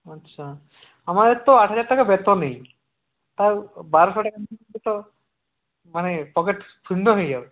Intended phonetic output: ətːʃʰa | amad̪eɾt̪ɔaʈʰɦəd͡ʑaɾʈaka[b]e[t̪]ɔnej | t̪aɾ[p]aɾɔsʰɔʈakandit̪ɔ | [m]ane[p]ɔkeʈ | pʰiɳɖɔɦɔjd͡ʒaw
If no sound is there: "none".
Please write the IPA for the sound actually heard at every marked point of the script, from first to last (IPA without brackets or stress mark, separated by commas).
b, t̪, b, m, p